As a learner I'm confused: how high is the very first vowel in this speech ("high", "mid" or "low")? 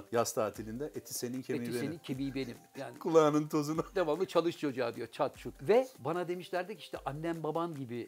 low